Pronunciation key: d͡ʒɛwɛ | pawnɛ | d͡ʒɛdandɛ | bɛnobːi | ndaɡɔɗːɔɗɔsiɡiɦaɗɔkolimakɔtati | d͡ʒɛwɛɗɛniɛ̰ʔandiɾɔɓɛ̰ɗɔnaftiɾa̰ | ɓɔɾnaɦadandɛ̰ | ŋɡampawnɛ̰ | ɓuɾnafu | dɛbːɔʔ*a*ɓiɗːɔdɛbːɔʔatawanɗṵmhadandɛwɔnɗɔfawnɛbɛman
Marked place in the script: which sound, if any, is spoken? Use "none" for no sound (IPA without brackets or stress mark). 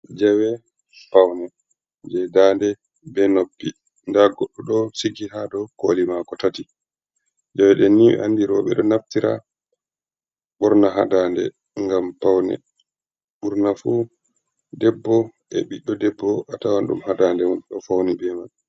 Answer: ɛ